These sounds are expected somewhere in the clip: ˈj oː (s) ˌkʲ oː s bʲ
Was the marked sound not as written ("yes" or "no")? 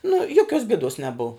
yes